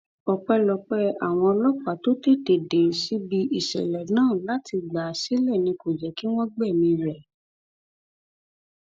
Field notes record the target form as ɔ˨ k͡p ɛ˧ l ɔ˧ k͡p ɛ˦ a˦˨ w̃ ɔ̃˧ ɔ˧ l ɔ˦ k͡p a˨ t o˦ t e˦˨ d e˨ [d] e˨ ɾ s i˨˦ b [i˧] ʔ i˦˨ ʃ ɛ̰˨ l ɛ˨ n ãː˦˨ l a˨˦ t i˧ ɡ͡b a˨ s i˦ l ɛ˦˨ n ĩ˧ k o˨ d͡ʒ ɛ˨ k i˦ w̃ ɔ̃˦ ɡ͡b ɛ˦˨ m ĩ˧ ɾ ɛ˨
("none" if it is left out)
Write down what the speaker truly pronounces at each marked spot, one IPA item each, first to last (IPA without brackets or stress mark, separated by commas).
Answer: d, i˧